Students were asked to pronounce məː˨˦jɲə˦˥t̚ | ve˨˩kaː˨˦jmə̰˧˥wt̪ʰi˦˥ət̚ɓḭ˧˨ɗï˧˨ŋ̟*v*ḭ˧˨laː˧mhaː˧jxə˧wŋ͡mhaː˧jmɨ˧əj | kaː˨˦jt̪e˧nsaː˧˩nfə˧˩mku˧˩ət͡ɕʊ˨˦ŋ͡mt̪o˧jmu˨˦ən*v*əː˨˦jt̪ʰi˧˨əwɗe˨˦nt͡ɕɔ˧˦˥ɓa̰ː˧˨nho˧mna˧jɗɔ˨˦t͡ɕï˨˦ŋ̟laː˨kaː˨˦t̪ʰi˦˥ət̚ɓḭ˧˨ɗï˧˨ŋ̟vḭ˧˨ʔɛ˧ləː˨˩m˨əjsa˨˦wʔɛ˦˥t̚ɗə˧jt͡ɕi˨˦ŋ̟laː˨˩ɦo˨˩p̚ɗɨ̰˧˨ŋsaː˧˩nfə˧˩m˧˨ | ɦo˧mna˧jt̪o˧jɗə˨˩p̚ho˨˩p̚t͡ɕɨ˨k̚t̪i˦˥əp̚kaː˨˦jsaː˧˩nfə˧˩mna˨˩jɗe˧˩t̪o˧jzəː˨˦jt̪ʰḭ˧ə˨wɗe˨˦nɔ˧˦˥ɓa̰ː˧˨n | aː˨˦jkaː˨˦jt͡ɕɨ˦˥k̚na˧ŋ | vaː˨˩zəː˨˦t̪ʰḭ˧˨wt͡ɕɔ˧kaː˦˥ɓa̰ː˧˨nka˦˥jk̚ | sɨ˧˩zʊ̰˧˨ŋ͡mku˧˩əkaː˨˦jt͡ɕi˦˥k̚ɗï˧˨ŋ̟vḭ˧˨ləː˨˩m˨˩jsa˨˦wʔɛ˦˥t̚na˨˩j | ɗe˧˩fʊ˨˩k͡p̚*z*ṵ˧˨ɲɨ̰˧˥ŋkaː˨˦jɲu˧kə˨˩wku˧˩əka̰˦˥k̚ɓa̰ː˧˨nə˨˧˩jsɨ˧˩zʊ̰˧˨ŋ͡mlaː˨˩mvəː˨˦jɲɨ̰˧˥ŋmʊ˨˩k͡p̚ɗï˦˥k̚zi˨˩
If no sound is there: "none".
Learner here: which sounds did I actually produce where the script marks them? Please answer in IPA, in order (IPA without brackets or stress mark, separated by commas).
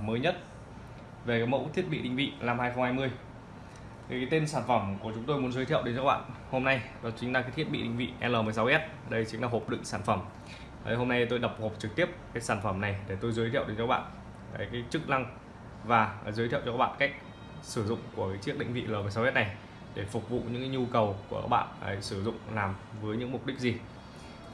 v, z, v